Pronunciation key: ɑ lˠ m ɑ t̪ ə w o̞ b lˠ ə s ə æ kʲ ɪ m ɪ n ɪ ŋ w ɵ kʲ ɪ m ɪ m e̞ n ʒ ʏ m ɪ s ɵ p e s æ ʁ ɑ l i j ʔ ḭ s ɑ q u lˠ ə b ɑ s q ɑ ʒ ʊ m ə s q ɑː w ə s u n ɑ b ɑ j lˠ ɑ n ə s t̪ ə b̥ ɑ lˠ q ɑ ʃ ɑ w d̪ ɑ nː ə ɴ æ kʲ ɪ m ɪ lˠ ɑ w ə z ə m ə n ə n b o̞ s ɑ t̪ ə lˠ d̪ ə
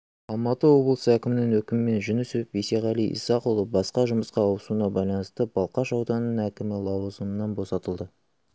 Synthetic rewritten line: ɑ lˠ m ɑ t̪ ə w o̞ b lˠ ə s ə æ kʲ ɪ m ɪ n ɪ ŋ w ɵ kʲ ɪ m ɪ m e̞ n ʒ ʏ n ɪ s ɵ p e s e ʁ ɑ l i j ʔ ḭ s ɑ q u lˠ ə b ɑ s q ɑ ʒ ʊ m ə s q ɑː w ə s u n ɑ b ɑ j lˠ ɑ n ə s t̪ ə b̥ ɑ lˠ q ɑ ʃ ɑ w d̪ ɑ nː ə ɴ æ kʲ ɪ m ɪ lˠ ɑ w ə z ə m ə n ɑ n b o̞ s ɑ t̪ ə lˠ d̪ ə